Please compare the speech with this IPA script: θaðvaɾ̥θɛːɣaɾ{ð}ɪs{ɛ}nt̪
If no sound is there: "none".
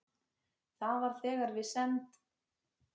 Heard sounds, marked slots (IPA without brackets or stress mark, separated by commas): v, ɛ